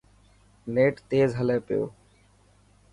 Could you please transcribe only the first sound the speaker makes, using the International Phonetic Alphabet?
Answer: n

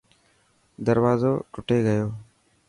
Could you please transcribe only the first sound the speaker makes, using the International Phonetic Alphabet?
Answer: d̪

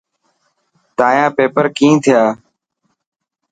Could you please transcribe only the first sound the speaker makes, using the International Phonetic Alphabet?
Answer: t̪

